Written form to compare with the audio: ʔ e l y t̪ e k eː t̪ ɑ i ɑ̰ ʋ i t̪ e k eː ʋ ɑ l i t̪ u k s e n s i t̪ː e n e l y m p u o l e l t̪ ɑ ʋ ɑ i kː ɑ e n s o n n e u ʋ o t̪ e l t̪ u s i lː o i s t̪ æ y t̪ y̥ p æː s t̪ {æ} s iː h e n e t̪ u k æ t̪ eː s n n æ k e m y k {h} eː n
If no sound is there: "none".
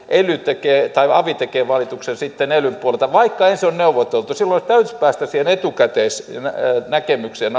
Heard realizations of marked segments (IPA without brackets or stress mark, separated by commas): æ, s